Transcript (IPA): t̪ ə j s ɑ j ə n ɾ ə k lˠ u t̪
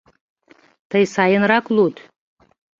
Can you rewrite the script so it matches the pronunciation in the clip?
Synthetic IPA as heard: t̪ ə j s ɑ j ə n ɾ ɑ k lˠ u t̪